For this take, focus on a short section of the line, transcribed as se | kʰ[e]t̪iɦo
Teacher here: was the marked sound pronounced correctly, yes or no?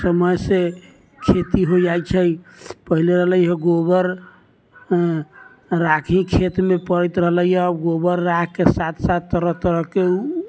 yes